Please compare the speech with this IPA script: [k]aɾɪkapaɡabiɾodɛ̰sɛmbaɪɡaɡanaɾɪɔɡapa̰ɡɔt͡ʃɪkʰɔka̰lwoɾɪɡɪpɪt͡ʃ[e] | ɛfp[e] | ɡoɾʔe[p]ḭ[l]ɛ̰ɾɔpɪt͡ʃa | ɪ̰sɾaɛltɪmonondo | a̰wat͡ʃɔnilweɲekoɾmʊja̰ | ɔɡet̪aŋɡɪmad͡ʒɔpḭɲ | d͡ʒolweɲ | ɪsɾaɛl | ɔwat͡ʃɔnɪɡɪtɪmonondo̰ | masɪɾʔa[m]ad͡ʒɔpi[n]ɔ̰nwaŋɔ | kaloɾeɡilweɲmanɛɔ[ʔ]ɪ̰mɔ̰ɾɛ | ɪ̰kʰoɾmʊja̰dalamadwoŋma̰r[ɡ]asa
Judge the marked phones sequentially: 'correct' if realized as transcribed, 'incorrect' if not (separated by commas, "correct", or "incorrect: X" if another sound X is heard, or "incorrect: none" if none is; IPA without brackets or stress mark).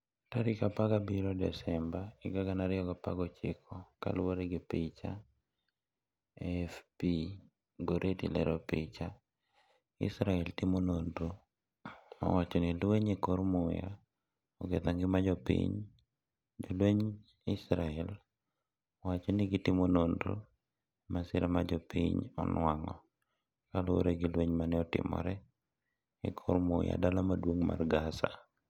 incorrect: t, incorrect: a, incorrect: i, incorrect: t, correct, correct, incorrect: ɲ, incorrect: t, correct